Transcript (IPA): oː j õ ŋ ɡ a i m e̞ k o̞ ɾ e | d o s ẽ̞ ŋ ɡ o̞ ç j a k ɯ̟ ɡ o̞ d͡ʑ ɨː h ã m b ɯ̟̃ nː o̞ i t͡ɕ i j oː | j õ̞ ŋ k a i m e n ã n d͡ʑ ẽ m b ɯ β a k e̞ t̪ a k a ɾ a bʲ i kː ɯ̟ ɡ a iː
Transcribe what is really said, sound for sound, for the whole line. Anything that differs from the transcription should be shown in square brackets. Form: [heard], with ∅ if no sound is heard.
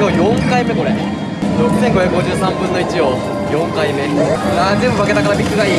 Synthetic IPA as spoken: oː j õ ŋ [k] a i m e̞ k o̞ ɾ e | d o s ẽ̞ ŋ ɡ o̞ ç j a k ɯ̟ ɡ o̞ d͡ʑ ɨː [s] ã m b ɯ̟̃ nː o̞ i t͡ɕ i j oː | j õ̞ ŋ k a i m e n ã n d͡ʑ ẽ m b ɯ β a k e̞ t̪ a k a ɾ a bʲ i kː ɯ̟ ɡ a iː